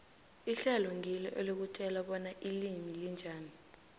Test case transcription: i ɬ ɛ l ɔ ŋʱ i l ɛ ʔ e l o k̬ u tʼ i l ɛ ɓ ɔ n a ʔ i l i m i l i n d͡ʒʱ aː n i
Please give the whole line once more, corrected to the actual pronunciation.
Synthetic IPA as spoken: i ɬ ɛ l ɔ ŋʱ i l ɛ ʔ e l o k̬ u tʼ ɛ l a ɓ ɔ n a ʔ i l i m i l i n d͡ʒʱ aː n i